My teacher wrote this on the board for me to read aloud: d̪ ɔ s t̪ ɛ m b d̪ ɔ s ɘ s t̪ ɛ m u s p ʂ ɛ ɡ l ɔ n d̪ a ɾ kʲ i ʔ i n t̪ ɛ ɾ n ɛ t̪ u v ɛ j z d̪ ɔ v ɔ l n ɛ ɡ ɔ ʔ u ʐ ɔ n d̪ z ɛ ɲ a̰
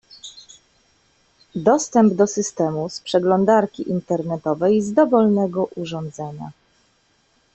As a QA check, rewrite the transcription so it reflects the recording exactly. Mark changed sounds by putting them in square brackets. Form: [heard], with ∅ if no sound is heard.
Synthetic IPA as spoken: d̪ ɔ s t̪ ɛ m b d̪ ɔ s ɘ s t̪ ɛ m u s p ʂ ɛ ɡ l ɔ n d̪ a ɾ kʲ i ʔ i n t̪ ɛ ɾ n ɛ t̪ [ɔ] v ɛ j z d̪ ɔ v ɔ l n ɛ ɡ ɔ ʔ u ʐ ɔ n d̪ z ɛ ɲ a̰